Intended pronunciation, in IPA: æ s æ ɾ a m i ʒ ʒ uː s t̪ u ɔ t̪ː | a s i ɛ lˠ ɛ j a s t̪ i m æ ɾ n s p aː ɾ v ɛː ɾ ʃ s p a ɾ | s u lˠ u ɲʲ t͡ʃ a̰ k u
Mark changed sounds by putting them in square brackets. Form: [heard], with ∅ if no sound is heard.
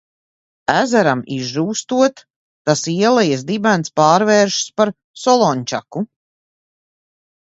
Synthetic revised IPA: æ [z] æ ɾ a m i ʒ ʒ uː s t̪ u ɔ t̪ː | a s i ɛ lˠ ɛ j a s [d̪] i [b] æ [∅] n s p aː ɾ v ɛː ɾ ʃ s p a ɾ | s [ɔ] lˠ [ɔ] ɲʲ t͡ʃ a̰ k u